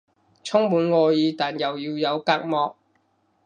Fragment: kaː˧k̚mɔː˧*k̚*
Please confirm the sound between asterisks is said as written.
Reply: yes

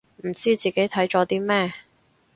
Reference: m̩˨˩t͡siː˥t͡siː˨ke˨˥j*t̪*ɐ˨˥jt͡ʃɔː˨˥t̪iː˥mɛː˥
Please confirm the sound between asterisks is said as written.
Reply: no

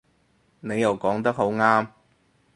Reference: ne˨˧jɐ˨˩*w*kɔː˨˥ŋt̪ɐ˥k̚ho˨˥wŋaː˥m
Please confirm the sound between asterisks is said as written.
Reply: yes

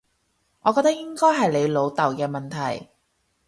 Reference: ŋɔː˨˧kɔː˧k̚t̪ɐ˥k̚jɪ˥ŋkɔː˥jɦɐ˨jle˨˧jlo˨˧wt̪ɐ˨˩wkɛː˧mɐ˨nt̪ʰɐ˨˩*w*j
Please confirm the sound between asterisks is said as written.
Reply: no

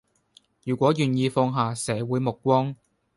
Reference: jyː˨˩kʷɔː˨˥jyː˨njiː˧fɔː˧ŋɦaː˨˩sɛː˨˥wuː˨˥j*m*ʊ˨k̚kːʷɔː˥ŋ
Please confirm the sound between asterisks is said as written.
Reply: yes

